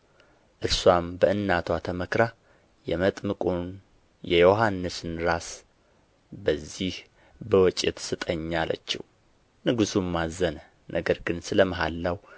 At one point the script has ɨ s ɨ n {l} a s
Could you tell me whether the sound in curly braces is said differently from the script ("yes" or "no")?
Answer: yes